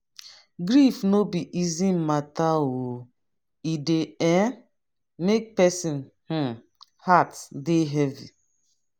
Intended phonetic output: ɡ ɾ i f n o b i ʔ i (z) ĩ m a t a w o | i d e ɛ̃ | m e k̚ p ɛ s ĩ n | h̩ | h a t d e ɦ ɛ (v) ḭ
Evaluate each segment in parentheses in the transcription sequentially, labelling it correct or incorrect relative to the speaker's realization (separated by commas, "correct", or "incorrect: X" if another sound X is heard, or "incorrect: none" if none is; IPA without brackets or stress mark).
correct, correct